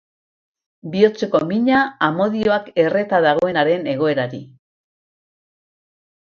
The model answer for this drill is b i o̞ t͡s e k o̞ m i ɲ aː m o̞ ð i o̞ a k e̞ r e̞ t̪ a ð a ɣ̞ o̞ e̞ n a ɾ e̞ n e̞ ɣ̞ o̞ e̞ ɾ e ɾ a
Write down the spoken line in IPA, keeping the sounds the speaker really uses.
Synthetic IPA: b i o̞ t͡s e k o̞ m i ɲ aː m o̞ ð i o̞ a k e̞ r e̞ t̪ a ð a ɣ̞ o̞ e̞ n a ɾ e̞ n e̞ ɣ̞ o̞ e̞ ɾ a ɾ i